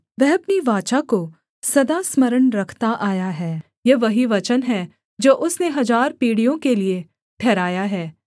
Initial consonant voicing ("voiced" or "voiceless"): voiced